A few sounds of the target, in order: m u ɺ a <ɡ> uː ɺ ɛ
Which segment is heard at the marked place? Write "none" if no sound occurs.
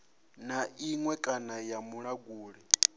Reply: ɡ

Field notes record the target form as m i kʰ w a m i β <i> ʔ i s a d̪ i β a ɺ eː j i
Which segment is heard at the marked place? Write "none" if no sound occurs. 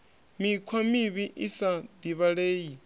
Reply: i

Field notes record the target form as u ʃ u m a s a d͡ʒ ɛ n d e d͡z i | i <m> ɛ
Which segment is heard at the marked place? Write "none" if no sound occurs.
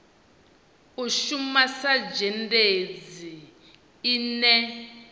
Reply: n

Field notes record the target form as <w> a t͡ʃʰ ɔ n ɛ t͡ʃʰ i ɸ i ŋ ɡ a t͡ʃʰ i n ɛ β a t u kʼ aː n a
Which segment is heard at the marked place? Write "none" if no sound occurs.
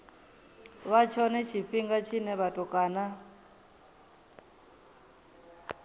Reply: β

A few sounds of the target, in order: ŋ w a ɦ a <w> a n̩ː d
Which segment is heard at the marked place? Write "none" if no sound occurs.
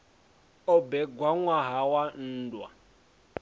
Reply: w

